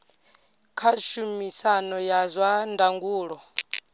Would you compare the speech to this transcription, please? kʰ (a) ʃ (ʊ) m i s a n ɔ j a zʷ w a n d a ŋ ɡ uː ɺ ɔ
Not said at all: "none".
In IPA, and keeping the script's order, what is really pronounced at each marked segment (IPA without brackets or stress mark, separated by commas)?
a, u